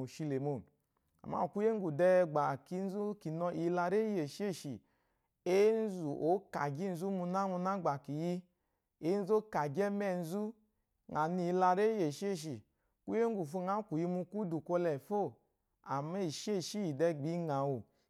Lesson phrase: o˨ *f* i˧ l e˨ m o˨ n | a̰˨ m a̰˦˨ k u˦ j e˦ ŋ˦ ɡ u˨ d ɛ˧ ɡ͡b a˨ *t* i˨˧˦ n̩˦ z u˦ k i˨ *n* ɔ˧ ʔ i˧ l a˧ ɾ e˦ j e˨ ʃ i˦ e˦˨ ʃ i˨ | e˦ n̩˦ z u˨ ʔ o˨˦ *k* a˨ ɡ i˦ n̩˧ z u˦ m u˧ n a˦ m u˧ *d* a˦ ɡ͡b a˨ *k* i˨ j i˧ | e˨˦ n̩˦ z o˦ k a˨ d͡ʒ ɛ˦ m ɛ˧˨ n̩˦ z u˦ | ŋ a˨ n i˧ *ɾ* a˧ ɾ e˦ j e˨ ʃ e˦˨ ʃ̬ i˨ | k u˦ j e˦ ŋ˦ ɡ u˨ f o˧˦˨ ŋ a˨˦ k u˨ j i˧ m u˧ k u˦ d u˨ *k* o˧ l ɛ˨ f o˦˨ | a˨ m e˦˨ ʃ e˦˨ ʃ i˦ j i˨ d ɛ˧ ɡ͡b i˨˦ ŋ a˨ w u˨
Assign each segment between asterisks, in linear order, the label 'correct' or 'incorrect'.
incorrect: ʃ, incorrect: k, correct, correct, incorrect: n, correct, incorrect: l, correct

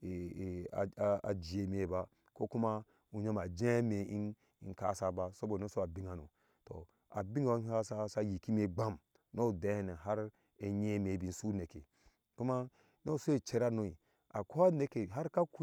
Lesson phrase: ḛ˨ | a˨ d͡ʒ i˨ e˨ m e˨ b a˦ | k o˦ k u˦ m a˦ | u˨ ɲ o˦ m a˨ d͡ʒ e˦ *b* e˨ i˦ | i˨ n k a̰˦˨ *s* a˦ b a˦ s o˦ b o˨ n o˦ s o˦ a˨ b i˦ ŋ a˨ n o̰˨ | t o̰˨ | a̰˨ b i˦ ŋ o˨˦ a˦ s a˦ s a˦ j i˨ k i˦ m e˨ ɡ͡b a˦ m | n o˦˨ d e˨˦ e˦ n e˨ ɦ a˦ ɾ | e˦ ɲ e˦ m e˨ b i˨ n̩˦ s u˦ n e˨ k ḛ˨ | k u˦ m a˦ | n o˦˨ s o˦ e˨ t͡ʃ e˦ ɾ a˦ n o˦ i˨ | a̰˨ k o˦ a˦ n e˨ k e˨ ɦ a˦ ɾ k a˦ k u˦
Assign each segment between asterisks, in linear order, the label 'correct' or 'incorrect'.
incorrect: m, correct

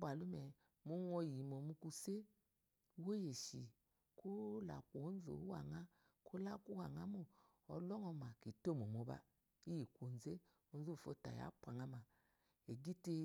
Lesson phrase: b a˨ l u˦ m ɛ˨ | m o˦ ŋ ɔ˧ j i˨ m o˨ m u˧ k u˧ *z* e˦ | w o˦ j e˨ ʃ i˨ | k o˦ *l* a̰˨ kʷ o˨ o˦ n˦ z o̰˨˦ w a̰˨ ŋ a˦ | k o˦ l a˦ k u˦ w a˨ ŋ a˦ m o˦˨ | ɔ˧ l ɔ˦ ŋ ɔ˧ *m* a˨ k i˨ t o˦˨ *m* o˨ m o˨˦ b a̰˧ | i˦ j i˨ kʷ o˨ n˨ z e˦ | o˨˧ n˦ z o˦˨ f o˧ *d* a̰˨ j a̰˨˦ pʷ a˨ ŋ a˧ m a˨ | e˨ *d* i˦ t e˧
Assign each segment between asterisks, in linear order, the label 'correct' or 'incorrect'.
incorrect: s, correct, correct, correct, incorrect: t, incorrect: ɡ

